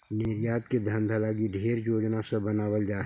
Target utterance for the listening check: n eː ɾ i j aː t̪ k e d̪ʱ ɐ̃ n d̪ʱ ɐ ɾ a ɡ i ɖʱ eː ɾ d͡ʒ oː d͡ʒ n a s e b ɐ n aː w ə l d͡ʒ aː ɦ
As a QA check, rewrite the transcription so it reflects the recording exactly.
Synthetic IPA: n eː ɾ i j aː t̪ k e d̪ʱ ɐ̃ n d̪ʱ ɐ l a ɡ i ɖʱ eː ɾ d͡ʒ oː d͡ʒ n a s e b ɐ n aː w ə l d͡ʒ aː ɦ